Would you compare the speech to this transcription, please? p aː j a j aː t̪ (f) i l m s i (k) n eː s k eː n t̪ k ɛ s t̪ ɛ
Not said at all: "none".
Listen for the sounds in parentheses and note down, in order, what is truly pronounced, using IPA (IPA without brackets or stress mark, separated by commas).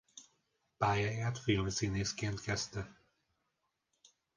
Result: f, none